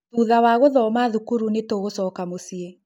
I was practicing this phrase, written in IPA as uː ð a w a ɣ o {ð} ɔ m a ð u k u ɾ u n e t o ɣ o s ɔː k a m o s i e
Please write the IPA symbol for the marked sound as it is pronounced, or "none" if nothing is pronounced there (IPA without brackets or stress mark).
ð